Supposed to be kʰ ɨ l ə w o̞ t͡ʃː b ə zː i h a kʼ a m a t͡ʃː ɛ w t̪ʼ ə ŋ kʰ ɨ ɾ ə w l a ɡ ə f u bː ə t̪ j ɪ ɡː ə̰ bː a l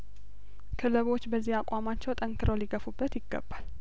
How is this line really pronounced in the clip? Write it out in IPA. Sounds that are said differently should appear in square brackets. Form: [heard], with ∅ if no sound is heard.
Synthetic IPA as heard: kʰ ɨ l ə [β] o̞ t͡ʃː b ə zː i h a kʼ a m a t͡ʃː ɛ w t̪ʼ ə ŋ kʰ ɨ ɾ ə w l [i] ɡ ə f u bː ə t̪ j ɪ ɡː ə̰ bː a l